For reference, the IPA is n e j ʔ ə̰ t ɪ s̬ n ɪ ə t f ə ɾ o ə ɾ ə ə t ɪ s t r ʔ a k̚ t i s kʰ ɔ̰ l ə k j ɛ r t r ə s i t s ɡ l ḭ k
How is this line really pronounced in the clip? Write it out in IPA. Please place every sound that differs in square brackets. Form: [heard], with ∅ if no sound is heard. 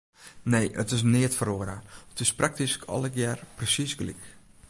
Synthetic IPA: n e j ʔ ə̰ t ɪ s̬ n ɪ ə t f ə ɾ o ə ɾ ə ə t ɪ s [p] r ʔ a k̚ t i s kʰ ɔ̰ l ə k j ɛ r [p] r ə s i [∅] s ɡ l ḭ k